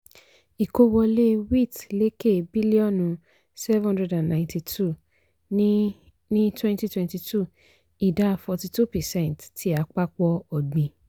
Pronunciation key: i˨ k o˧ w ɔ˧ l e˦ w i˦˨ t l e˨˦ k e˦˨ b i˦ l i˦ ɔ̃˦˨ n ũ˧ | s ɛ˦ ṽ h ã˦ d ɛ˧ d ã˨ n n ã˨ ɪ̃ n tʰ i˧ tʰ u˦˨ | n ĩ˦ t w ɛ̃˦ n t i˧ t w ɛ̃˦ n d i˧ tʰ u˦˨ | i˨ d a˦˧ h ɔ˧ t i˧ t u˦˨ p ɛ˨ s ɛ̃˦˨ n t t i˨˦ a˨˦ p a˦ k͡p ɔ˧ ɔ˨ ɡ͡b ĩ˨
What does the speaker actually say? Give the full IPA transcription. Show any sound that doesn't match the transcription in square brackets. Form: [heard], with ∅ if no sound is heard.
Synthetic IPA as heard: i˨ k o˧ w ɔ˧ l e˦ w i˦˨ t l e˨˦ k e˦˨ b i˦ l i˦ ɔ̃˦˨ n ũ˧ | s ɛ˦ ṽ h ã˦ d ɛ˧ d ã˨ n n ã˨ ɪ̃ n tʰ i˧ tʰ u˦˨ | n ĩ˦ t w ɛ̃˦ n t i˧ t w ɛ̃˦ n [t] i˧ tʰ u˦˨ | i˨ d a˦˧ [f] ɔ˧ t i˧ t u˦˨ p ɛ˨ s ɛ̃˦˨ n t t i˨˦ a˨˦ [k͡p] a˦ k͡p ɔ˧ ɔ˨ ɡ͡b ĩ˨